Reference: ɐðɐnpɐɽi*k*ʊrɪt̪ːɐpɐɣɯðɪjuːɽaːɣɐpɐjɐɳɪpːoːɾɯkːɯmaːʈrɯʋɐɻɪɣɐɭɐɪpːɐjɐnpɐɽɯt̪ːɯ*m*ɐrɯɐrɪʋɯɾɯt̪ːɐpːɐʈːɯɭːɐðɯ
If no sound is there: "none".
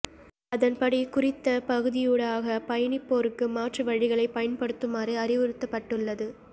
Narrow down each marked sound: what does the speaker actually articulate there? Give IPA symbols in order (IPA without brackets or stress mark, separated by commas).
k, m